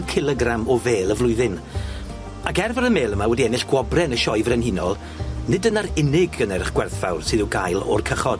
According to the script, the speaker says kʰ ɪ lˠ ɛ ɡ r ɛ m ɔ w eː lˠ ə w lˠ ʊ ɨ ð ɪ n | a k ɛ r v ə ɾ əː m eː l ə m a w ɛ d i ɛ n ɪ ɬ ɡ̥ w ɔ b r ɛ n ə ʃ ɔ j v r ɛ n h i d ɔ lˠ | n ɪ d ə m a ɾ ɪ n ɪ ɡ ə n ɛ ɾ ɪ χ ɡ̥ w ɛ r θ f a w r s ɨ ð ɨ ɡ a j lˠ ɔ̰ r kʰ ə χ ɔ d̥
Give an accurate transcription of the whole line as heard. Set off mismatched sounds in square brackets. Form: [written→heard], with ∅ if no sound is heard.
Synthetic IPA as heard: kʰ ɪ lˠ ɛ ɡ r [ɛ→a] m ɔ [w→v] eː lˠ ə [w→v] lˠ ʊ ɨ ð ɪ n | a k ɛ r v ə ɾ [əː→ə] m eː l ə m a w ɛ d i ɛ n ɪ ɬ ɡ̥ w ɔ b r ɛ n ə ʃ ɔ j v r ɛ n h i [d→n] ɔ lˠ | n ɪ d ə [m→n] a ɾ ɪ n ɪ ɡ ə n ɛ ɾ ɪ χ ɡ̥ w ɛ r θ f a w r s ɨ ð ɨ ɡ a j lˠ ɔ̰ r kʰ ə χ ɔ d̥